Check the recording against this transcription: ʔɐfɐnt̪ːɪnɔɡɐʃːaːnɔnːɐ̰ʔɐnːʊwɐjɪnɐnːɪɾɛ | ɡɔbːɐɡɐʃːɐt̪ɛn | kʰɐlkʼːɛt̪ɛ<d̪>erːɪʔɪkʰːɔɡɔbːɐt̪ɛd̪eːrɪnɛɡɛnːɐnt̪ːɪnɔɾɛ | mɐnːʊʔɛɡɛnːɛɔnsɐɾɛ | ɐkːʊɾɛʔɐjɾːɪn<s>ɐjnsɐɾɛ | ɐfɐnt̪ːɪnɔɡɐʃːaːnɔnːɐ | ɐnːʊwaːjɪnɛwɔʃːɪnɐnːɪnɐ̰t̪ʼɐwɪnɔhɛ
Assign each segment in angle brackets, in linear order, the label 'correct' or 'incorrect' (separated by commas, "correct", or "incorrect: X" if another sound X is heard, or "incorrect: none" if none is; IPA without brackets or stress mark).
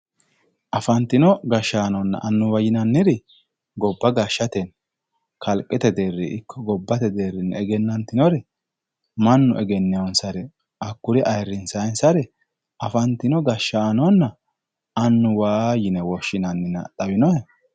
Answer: correct, correct